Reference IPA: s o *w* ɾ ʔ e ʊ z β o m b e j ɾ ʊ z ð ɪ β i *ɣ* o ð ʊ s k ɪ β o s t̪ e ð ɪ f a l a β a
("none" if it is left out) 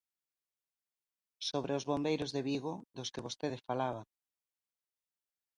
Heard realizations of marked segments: β, ɣ

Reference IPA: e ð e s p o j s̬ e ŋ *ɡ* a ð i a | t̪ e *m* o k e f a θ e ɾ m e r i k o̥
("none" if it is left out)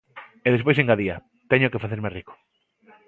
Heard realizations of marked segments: ɡ, ɲ

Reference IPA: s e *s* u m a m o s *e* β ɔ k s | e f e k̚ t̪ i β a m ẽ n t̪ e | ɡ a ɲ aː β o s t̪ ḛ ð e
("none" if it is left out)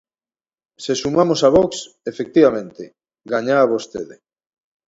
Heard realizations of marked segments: s, a

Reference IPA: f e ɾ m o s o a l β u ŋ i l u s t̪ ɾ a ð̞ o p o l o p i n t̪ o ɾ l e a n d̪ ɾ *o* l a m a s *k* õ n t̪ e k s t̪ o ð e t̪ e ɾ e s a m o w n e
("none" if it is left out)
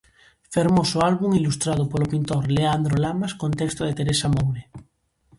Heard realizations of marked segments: o, k

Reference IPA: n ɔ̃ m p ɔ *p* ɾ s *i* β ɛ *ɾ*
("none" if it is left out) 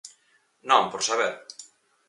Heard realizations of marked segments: none, a, ɾ

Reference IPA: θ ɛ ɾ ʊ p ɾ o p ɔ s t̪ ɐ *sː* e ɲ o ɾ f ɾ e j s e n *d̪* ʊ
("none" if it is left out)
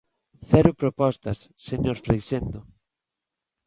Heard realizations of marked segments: sː, d̪

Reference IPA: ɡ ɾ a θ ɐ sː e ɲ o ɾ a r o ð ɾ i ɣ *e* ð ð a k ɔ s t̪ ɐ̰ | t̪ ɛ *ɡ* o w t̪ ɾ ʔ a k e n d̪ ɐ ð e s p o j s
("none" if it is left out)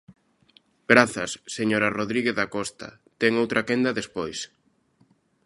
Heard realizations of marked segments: e, ŋ

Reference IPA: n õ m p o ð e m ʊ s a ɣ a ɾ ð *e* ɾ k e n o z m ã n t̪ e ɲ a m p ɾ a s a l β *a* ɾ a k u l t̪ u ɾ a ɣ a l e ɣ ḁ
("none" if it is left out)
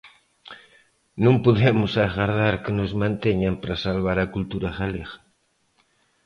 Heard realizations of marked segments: a, a

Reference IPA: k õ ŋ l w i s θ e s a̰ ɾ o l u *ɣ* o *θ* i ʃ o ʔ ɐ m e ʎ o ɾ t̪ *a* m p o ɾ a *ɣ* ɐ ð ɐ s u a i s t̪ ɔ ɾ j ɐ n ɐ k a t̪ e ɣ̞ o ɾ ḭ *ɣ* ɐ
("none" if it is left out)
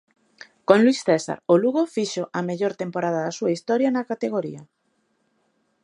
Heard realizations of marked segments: ɣ, f, e, ð, none

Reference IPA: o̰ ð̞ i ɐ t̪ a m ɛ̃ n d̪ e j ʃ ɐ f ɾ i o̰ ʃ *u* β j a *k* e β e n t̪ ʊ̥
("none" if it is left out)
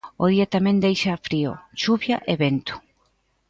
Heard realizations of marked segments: u, ʔ

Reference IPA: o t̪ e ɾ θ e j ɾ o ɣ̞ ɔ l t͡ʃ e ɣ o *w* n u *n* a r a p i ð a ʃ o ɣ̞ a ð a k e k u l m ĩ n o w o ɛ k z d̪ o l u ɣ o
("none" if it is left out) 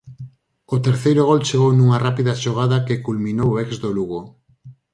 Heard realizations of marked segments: w, ŋ

